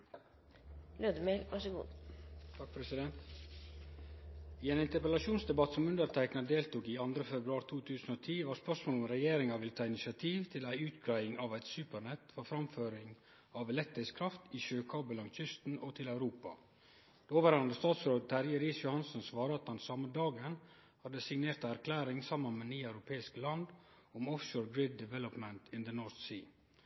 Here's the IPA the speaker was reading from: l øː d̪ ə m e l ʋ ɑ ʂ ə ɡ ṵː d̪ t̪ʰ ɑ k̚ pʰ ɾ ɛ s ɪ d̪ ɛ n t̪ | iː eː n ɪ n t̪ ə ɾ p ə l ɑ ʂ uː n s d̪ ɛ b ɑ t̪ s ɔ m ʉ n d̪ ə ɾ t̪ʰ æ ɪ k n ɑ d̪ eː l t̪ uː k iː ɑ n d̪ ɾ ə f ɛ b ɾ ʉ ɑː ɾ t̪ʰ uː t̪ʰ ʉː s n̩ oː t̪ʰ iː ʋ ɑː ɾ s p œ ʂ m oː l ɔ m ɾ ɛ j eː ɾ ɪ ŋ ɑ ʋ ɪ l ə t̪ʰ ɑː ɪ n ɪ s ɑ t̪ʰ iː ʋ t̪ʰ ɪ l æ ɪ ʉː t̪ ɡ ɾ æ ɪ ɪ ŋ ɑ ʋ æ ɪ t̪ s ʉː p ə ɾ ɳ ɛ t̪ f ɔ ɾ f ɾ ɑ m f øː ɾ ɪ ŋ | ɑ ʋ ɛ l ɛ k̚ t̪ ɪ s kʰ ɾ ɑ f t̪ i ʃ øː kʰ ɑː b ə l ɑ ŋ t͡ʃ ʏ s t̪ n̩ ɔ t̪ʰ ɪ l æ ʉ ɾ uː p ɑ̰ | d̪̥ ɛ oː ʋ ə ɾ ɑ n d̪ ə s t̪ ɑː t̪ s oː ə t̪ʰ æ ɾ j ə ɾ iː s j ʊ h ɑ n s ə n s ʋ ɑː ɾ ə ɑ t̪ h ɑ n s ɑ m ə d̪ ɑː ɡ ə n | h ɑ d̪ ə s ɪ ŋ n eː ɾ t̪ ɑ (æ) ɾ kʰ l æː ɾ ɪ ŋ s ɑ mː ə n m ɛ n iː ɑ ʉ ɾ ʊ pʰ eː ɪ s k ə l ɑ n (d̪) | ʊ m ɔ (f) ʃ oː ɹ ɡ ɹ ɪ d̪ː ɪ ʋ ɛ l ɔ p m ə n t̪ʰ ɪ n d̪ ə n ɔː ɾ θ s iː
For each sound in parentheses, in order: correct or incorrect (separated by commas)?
correct, correct, correct